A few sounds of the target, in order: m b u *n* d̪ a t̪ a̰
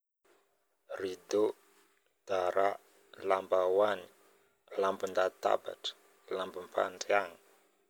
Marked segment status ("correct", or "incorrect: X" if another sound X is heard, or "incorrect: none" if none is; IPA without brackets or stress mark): correct